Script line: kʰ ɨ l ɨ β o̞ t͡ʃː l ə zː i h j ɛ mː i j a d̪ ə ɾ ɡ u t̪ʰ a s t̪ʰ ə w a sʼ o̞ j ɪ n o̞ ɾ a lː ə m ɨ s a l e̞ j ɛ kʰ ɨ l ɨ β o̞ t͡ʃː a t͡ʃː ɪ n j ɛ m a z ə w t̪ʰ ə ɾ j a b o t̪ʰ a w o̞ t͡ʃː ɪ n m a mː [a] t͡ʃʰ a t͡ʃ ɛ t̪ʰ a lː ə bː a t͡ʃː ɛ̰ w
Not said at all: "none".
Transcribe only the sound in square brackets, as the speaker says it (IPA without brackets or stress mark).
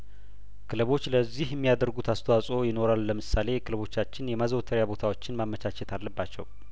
ə